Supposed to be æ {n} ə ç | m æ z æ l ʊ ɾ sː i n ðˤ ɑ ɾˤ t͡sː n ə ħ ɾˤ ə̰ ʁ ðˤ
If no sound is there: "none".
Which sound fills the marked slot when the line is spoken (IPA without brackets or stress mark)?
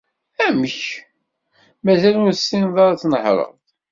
m